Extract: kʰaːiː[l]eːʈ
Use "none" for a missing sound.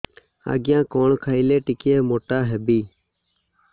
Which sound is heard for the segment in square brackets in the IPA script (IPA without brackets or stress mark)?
l